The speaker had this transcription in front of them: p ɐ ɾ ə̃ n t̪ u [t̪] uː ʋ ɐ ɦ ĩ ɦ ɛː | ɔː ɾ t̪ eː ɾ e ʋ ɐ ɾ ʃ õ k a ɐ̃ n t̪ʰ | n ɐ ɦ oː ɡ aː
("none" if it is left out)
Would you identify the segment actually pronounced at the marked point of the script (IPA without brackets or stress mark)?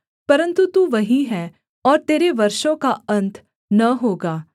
t̪